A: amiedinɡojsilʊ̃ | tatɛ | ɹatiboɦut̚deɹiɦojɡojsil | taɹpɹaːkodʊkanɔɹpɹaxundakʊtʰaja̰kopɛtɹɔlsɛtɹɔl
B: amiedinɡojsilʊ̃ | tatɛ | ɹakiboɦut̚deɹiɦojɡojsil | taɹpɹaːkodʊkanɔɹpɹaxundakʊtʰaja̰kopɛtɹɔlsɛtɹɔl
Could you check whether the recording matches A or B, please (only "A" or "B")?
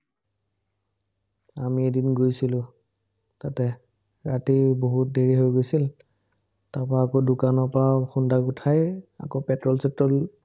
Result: A